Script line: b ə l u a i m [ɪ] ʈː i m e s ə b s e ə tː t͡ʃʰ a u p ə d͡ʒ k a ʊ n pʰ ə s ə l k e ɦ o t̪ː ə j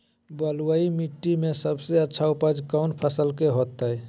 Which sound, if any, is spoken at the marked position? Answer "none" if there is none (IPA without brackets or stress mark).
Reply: i